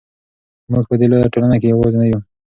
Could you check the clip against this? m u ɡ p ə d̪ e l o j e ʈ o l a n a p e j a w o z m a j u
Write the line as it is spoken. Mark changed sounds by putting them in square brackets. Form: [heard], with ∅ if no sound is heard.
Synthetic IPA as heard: m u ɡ p ə d̪ e l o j [a] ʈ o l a n a [k] e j a w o z [n] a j u